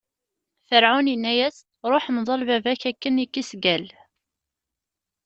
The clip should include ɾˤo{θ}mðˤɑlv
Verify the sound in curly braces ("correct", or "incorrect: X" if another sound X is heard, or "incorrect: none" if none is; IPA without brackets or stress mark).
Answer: incorrect: ħ